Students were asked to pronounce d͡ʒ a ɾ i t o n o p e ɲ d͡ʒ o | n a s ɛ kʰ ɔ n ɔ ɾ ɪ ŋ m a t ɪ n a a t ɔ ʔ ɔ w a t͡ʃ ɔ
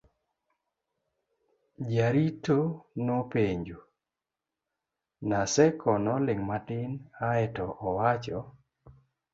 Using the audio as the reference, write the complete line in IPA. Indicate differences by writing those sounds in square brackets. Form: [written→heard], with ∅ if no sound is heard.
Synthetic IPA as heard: d͡ʒ a ɾ i t o n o p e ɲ d͡ʒ o | n a s ɛ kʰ ɔ n ɔ [ɾ→l] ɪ ŋ m a t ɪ n a [a→ɛ] t ɔ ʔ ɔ w a t͡ʃ ɔ